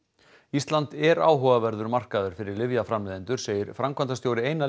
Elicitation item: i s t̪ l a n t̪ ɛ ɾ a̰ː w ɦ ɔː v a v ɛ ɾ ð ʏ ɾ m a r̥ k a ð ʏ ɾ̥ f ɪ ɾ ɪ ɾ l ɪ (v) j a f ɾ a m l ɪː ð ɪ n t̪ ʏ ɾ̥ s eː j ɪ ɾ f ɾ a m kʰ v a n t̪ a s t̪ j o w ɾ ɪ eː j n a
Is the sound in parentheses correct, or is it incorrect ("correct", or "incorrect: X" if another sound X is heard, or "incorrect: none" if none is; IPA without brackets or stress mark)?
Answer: correct